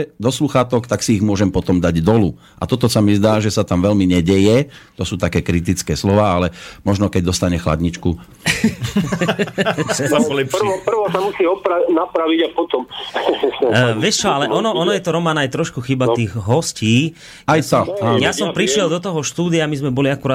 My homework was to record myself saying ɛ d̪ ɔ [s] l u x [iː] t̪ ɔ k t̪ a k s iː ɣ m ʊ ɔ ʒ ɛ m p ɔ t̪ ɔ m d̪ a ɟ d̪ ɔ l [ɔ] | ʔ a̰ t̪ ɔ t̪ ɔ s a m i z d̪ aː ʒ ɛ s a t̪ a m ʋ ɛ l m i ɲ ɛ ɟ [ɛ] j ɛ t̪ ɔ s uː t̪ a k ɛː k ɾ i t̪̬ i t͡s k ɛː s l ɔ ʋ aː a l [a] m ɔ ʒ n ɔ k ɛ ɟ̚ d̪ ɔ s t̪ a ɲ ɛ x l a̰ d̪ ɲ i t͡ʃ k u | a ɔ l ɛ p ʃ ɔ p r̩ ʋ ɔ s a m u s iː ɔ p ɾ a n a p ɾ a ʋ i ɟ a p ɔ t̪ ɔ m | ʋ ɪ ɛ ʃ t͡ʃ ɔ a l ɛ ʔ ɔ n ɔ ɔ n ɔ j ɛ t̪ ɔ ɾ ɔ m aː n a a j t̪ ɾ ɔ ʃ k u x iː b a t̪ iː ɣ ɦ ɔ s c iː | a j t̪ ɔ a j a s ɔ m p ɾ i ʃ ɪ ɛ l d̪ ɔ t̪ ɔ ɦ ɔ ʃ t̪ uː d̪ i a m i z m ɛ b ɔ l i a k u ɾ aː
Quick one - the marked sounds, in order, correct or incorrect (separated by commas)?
correct, incorrect, incorrect, correct, incorrect